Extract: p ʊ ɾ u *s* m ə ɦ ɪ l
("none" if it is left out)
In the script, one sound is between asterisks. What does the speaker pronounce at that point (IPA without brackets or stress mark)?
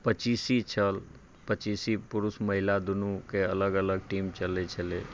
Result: s